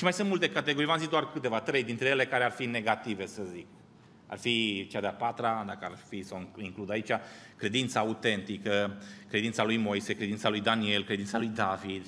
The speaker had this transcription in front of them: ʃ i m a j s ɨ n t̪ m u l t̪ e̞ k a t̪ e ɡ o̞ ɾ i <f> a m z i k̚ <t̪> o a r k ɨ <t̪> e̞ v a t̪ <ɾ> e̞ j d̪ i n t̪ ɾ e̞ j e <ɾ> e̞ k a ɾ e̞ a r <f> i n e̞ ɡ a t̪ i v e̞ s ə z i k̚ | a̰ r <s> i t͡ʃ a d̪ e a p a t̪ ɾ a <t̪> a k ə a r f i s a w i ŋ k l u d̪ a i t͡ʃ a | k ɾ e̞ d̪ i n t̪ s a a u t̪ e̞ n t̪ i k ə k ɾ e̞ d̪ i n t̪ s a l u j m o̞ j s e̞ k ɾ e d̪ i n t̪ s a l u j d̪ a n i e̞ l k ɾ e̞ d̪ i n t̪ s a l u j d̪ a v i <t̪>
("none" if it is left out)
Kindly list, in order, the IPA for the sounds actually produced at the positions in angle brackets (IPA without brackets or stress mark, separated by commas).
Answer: v, d̪, t̪, ɾ, l, f, f, d̪, d̪